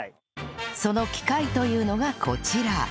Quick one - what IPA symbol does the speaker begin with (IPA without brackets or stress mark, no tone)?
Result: s